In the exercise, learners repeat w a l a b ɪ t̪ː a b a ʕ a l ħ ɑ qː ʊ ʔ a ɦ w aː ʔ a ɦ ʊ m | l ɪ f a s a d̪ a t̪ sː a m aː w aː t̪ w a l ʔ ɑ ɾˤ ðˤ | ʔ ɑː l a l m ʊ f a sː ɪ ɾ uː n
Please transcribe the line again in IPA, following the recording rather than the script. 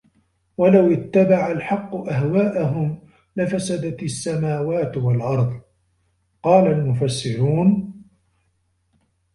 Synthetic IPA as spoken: w a l a w ɪ t̪ː a b a ʕ a l ħ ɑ qː ʊ ʔ a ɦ w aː ʔ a ɦ ʊ m | l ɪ f a s a d̪ a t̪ sː a m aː w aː t̪ w a l ʔ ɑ ɾˤ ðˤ | q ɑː l a l m ʊ f a sː ɪ ɾ uː n